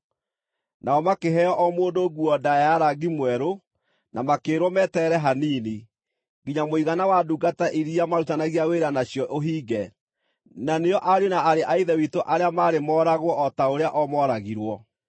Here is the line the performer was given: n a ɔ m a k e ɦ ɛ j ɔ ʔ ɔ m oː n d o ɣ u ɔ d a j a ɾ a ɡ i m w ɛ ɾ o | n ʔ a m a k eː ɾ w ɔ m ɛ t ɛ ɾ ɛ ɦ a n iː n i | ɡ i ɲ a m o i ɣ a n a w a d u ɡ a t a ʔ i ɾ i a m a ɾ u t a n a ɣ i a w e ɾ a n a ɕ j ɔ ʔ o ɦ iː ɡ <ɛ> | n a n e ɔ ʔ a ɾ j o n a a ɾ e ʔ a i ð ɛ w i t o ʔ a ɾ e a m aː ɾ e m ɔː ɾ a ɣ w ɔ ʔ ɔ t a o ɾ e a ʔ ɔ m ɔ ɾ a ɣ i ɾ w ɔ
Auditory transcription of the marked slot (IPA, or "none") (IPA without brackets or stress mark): ɛ